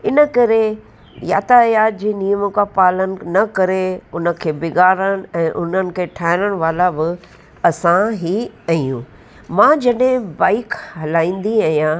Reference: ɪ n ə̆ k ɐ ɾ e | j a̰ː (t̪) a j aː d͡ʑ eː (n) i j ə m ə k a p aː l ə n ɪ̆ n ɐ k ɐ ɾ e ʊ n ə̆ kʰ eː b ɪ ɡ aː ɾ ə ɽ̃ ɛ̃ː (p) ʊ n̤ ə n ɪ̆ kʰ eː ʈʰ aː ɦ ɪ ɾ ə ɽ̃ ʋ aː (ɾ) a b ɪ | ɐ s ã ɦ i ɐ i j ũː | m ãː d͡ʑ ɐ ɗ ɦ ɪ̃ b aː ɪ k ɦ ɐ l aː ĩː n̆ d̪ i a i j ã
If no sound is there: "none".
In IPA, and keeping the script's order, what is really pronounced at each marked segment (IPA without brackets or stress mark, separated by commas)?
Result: t̪, n, ʔ, l